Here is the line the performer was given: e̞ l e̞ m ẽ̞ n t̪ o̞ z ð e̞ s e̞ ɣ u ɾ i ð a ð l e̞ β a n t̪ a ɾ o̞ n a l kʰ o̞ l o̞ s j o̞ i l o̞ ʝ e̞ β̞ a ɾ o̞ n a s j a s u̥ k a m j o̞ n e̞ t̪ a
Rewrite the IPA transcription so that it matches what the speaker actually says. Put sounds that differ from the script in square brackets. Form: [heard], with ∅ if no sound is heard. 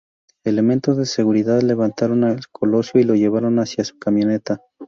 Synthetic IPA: e̞ l e̞ m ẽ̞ n t̪ o̞ z ð e̞ s e̞ ɣ u ɾ i ð a ð l e̞ β a n t̪ a ɾ o̞ n a l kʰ o̞ l o̞ s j o̞ i l o̞ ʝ e̞ β̞ a ɾ o̞ n a s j a s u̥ k a m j o̞ n e̞ t̪ a